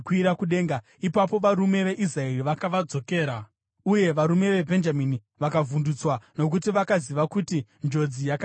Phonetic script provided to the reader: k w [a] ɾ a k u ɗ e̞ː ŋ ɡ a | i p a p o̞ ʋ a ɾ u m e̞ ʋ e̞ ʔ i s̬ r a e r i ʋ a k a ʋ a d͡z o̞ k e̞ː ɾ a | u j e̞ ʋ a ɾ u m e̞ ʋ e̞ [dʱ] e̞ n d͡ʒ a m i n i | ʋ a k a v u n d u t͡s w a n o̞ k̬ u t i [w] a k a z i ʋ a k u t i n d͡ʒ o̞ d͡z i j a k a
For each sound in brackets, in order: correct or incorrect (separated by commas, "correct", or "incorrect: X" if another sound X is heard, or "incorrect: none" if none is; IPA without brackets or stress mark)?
incorrect: i, incorrect: bʱ, incorrect: ʋ